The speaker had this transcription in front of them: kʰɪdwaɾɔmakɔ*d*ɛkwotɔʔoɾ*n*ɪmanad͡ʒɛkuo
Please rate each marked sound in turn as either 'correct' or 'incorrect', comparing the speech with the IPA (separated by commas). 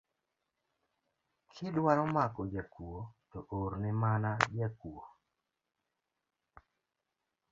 incorrect, correct